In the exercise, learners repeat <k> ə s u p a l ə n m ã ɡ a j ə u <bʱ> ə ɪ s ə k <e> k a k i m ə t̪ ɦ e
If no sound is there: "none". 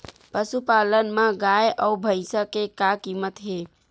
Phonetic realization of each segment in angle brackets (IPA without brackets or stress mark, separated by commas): p, bʱ, e